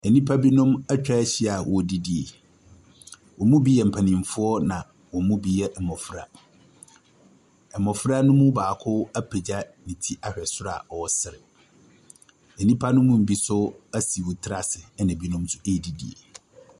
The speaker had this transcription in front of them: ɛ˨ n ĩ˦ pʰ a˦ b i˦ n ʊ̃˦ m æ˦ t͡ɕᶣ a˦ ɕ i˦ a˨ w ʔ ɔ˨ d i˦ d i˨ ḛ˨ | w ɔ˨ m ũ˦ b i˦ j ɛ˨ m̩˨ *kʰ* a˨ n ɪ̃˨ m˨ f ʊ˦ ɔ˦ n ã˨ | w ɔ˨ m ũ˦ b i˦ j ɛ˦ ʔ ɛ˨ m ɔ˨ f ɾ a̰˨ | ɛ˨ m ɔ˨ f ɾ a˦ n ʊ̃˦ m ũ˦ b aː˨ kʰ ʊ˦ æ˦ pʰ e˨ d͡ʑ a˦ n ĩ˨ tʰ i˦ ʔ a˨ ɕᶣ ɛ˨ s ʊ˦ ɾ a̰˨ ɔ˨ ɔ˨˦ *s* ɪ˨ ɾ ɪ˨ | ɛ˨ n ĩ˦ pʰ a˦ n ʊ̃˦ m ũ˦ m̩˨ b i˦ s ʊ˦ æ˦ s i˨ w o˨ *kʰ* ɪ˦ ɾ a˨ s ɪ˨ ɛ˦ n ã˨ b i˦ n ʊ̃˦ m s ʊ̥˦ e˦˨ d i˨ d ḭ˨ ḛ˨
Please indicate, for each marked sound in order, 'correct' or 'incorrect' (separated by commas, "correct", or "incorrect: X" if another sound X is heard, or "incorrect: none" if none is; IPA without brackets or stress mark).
incorrect: pʰ, correct, incorrect: tʰ